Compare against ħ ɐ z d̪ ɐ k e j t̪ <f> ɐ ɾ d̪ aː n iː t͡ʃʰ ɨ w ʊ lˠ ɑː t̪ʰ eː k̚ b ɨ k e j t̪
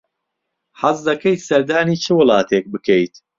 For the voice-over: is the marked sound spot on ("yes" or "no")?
no